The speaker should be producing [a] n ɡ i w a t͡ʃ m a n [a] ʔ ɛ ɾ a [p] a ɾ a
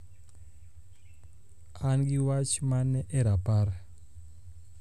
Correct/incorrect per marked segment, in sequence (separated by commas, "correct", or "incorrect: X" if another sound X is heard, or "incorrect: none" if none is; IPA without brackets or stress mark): correct, incorrect: ɛ, correct